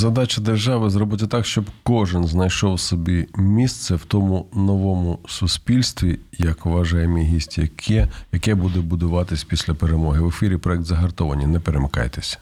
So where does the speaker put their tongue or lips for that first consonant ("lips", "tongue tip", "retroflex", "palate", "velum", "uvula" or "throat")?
tongue tip